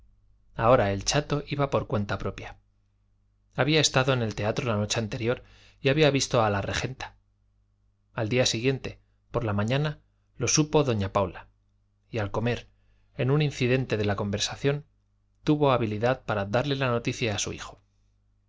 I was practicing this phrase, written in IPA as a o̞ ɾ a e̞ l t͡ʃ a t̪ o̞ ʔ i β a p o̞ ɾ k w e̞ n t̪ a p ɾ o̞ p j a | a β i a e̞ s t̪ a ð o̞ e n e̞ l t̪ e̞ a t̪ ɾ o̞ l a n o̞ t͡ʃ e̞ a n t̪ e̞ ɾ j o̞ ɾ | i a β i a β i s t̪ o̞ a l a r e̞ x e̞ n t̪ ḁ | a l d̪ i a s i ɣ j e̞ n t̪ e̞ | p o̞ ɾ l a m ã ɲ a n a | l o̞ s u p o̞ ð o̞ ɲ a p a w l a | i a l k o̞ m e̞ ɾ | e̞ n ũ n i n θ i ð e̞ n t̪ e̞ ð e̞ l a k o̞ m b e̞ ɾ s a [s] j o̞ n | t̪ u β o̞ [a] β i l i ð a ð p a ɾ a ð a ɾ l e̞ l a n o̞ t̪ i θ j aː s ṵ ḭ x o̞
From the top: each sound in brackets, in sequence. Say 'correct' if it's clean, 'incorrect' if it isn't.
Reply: incorrect: θ, correct

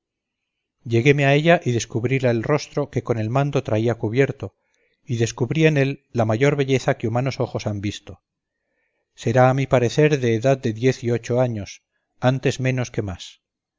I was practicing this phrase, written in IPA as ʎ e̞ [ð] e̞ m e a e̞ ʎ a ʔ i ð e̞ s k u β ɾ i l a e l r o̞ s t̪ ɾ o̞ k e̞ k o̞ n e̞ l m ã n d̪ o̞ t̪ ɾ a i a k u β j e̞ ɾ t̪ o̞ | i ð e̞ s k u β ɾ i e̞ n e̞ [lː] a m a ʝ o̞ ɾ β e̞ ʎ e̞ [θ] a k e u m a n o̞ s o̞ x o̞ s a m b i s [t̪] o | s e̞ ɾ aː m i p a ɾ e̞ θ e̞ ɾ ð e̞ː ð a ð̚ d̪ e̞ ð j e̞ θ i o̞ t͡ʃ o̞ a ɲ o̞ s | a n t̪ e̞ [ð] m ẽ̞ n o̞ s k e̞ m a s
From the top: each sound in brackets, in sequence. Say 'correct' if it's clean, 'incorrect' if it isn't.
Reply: incorrect: ɣ, correct, correct, correct, incorrect: z

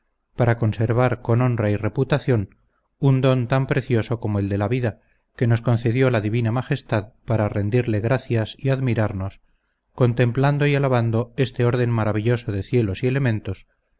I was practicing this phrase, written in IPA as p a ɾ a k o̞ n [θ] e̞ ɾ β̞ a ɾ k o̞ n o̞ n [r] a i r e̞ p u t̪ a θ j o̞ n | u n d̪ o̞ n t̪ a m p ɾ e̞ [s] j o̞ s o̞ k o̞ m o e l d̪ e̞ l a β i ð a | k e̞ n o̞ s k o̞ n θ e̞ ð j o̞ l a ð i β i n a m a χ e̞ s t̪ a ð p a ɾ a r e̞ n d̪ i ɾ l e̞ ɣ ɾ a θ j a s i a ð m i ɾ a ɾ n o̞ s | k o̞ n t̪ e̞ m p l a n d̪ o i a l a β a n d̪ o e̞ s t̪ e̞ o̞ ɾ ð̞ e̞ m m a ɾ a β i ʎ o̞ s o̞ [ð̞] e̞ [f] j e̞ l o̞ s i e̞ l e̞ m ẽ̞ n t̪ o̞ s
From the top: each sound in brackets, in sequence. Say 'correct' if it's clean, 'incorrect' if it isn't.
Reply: incorrect: s, correct, incorrect: θ, correct, incorrect: θ

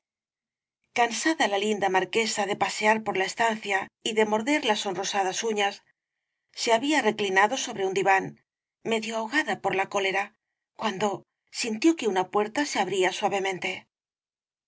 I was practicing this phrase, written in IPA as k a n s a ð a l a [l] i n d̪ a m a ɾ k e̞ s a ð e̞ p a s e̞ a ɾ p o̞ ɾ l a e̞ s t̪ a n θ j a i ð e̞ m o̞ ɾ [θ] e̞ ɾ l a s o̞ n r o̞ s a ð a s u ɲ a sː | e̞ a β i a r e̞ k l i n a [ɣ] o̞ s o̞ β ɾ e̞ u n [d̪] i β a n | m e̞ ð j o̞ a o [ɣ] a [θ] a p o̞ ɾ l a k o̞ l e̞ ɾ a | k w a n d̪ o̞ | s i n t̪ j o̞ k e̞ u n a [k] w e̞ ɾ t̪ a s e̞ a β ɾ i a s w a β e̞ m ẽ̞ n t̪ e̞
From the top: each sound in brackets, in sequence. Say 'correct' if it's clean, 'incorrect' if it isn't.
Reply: correct, incorrect: ð, incorrect: ð, correct, correct, incorrect: ð, incorrect: p

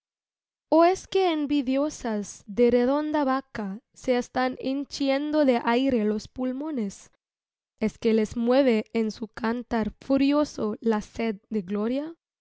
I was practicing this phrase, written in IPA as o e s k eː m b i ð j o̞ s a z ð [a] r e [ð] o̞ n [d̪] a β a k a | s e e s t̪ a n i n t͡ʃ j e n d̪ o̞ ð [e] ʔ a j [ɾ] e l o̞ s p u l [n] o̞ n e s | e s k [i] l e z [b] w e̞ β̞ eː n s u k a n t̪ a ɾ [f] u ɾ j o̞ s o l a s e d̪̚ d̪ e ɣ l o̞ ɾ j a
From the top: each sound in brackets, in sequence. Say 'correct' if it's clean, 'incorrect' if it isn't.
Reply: incorrect: e, correct, correct, correct, correct, incorrect: m, incorrect: e, incorrect: m, correct

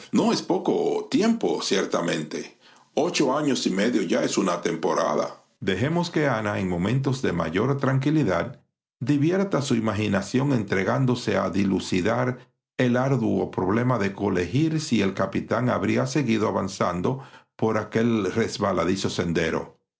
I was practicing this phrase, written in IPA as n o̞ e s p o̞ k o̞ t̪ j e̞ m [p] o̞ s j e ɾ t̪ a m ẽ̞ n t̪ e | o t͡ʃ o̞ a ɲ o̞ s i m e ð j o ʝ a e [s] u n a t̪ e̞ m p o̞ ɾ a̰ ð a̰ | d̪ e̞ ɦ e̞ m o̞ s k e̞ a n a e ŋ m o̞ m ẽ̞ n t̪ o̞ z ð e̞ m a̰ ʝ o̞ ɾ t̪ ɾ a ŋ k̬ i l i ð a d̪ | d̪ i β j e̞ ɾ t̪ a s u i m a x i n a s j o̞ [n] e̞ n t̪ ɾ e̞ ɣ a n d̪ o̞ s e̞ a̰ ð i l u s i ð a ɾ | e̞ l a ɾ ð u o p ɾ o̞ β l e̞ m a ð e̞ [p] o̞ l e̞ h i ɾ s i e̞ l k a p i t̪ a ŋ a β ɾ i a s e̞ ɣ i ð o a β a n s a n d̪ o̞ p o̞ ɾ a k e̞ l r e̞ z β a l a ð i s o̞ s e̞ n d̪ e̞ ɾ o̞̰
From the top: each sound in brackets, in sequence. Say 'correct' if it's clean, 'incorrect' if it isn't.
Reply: correct, correct, incorrect: ŋ, incorrect: k

